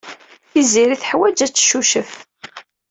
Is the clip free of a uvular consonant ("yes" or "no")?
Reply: yes